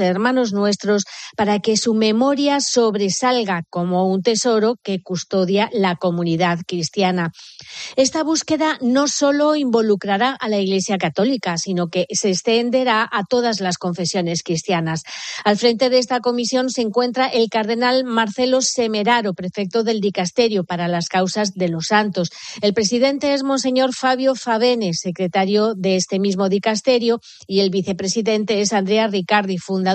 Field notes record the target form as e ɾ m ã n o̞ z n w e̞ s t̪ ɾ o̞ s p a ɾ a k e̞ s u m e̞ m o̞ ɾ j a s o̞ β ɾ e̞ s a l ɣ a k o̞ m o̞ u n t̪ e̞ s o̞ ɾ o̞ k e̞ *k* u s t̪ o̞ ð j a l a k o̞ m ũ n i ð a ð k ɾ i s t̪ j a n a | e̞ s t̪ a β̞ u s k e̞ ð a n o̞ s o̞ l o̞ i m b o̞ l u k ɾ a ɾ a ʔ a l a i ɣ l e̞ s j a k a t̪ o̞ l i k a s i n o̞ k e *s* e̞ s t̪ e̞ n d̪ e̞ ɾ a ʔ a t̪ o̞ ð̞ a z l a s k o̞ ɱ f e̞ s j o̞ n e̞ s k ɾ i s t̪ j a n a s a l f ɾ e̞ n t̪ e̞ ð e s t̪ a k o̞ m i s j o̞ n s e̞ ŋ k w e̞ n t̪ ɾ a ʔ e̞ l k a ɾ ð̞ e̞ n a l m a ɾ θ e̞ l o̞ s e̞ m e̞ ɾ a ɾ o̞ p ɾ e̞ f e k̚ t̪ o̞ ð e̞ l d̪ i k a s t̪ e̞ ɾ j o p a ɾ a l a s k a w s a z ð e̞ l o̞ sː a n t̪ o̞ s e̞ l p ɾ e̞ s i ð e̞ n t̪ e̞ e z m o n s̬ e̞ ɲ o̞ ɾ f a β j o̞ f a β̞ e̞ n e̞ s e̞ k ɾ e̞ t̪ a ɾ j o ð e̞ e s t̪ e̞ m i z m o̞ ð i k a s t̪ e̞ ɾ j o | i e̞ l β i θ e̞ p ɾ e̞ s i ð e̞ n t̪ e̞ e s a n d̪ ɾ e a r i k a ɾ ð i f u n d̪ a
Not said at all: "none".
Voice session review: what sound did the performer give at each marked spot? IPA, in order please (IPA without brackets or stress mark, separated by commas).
k, s